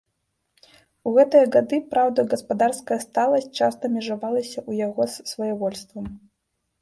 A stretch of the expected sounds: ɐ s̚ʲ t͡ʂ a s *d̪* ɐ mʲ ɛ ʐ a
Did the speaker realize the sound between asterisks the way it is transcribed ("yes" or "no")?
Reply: no